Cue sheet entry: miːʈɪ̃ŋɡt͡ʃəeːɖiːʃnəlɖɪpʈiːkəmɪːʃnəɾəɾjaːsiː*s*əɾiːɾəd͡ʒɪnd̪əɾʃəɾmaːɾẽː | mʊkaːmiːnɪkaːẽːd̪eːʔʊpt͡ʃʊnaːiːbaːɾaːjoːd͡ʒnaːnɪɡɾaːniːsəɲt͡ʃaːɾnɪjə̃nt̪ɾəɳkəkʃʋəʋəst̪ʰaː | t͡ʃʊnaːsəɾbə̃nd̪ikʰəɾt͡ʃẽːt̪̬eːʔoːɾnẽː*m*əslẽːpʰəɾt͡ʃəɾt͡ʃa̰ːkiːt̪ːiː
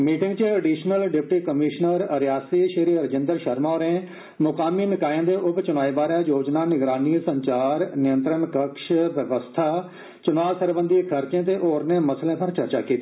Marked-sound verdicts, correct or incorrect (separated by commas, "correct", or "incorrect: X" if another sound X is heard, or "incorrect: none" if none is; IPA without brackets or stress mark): incorrect: ʃ, correct